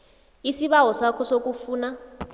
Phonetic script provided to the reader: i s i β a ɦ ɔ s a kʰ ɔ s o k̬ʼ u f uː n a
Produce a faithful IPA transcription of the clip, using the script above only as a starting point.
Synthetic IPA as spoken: i s i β a ɦ ɔ s a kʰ ɔ s o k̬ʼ u f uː n a